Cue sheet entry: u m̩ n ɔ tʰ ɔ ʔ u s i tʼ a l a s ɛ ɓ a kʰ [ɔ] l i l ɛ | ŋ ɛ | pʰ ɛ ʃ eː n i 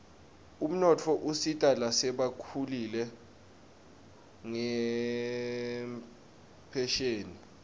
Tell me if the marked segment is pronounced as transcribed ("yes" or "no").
no